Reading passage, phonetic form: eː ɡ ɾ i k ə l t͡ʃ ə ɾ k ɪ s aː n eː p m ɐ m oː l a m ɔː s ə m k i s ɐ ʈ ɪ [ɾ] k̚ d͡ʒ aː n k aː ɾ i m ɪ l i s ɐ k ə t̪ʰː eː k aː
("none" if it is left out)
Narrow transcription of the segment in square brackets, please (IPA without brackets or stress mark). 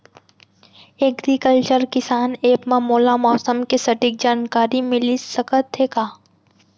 none